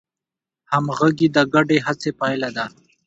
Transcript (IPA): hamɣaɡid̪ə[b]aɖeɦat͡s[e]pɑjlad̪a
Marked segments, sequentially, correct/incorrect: incorrect, correct

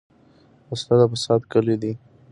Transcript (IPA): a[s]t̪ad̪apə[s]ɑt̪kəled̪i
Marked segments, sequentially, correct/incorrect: correct, correct

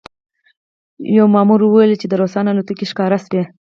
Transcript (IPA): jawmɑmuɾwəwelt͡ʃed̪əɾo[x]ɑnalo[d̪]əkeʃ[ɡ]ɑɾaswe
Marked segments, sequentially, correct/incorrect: incorrect, incorrect, incorrect

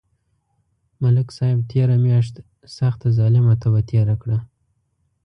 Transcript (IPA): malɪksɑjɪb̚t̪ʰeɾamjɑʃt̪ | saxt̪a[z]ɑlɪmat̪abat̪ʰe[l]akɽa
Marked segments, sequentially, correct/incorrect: correct, incorrect

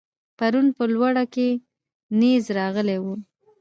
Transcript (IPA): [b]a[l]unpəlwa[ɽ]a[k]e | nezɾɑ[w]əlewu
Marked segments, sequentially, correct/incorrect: incorrect, incorrect, correct, correct, incorrect

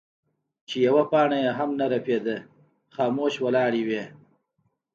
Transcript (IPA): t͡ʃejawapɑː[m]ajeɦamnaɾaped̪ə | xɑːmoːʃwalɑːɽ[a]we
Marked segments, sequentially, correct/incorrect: incorrect, incorrect

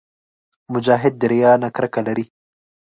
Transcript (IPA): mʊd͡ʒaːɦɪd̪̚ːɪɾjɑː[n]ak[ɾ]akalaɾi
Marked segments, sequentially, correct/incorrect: correct, correct

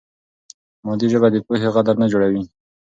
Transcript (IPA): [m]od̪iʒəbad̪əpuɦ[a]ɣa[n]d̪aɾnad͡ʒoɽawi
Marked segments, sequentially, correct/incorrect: correct, incorrect, incorrect

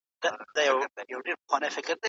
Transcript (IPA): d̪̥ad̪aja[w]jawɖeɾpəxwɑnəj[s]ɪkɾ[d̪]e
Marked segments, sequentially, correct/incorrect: correct, incorrect, correct

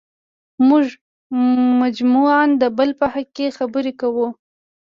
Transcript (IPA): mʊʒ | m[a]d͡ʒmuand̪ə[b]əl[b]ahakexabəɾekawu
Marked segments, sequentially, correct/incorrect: correct, correct, incorrect

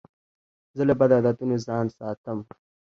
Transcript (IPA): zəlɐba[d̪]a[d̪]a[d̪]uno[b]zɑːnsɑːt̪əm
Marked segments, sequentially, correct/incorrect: correct, correct, incorrect, incorrect

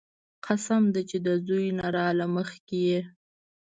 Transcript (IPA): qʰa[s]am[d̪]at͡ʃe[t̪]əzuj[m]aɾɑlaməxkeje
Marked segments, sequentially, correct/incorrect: correct, correct, incorrect, incorrect

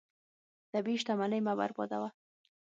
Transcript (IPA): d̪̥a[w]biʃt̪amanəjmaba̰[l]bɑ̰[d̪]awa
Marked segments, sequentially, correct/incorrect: incorrect, incorrect, correct

